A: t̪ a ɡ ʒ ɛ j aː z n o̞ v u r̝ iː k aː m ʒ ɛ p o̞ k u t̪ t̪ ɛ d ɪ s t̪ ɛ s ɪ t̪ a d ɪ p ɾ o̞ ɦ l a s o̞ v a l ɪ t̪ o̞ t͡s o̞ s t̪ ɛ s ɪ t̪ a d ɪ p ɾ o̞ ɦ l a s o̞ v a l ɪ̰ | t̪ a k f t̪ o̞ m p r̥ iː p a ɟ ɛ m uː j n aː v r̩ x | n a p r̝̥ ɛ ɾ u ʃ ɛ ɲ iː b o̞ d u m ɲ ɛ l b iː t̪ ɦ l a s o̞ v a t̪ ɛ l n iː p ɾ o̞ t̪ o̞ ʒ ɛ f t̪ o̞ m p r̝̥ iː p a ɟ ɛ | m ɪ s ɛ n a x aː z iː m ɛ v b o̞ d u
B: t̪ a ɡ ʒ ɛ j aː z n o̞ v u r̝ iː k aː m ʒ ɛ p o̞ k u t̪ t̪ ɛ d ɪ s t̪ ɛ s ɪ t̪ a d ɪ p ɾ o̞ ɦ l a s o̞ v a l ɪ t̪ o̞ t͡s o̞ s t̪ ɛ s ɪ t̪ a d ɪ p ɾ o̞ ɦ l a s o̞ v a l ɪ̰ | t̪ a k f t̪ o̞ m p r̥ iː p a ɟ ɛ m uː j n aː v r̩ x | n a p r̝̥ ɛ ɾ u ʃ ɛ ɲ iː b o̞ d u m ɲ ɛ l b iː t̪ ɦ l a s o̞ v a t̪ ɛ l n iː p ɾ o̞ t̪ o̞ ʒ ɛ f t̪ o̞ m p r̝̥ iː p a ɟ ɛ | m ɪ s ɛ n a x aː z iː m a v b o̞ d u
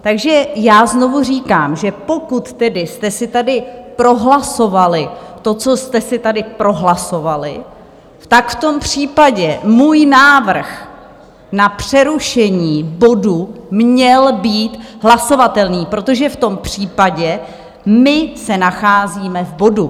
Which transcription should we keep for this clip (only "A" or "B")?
A